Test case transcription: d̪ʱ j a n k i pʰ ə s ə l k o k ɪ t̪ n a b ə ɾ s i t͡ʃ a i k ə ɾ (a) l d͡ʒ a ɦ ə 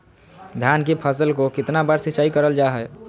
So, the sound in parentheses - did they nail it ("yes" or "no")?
no